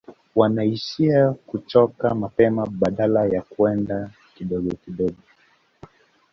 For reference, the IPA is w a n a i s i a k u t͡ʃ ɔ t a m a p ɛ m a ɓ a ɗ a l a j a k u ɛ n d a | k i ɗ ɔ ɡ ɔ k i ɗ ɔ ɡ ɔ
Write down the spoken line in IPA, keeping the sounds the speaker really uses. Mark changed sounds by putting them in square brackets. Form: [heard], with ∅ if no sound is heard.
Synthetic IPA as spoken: w a n a i [ʃ] i a k u t͡ʃ ɔ [k] a m a p ɛ m a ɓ a ɗ a l a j a k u ɛ n d a | k i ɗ ɔ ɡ ɔ k i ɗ ɔ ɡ ɔ